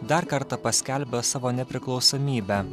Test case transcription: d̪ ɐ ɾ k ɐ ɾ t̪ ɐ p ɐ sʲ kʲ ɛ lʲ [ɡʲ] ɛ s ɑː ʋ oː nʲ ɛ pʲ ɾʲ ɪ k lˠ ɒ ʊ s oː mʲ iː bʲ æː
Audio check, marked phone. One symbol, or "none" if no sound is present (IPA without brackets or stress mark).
bʲ